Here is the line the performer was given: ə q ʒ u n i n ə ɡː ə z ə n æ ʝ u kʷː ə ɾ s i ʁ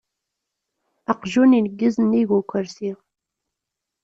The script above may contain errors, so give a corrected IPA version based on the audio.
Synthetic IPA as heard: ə q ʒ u n i n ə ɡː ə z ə n i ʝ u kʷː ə ɾ s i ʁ

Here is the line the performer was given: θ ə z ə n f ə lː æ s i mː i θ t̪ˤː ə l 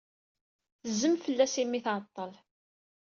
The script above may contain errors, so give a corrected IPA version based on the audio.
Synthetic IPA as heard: θ ə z ə m f ə lː æ s i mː i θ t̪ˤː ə l

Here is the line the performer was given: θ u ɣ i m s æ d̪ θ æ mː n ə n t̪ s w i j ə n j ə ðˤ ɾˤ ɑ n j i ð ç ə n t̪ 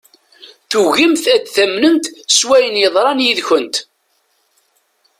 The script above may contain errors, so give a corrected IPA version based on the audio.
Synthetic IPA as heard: θ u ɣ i m θ æ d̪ θ æ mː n ə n t̪ s w æ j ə n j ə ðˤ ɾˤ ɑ n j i ð ç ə n t̪

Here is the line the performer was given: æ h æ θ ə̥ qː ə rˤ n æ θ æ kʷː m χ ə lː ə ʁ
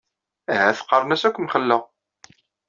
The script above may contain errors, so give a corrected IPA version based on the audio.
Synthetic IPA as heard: æ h æ θ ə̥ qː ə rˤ n æ s æ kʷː m χ ə lː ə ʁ

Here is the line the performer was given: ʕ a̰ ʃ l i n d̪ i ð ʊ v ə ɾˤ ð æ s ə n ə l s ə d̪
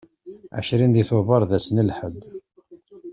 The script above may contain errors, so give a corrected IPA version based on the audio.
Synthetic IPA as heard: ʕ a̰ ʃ ɾ i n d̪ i θ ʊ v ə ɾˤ ð æ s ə n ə l ħ ə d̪

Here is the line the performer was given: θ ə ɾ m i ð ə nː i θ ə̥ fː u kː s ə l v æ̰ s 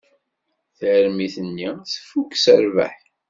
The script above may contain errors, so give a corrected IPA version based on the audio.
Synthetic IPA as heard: θ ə ɾ m i θ ə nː i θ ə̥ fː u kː s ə ɾ v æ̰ ħ

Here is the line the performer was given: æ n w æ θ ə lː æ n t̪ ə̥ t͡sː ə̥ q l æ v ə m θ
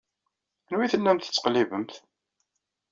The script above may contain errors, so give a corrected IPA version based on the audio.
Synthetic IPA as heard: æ n w i θ ə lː æ m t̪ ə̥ t͡sː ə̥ q l i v ə m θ

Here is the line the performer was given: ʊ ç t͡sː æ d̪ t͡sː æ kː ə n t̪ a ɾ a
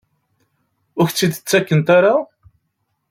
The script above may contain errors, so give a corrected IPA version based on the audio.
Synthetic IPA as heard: ʊ ç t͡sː i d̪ t͡sː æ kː ə n t̪ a ɾ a

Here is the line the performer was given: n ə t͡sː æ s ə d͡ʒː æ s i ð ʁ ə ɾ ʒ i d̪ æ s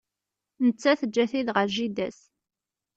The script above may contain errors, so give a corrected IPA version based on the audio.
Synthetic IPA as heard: n ə t͡sː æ θ ə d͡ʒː æ θ i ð ʁ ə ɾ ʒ i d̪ æ s

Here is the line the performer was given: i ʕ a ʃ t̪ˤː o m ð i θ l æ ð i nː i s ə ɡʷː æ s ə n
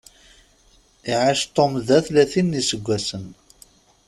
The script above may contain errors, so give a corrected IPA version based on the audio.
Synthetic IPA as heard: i ʕ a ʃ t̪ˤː o m ð æ θ l æ θ i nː i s ə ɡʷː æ s ə n

